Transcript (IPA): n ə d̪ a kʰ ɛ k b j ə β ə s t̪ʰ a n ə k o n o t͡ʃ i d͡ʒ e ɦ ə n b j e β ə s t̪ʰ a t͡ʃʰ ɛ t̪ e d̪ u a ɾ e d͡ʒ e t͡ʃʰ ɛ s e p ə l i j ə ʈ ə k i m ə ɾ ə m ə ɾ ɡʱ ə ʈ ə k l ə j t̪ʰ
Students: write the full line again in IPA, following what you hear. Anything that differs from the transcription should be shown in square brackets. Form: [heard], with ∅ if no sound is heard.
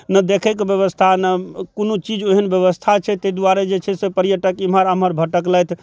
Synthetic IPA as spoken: n ə d̪ [e] kʰ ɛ k b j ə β ə s t̪ʰ a n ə k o n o t͡ʃ i d͡ʒ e ɦ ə n b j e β ə s t̪ʰ a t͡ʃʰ ɛ t̪ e d̪ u a ɾ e d͡ʒ e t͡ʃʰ ɛ s e p ə [ɾ] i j ə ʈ ə k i m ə ɾ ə m ə ɾ [bʱ] ə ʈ ə k l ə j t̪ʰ